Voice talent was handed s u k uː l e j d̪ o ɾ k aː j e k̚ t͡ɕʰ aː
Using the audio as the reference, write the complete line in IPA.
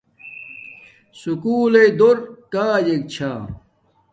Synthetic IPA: s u k uː l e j d̪ o ɾ k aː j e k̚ t͡ɕʰ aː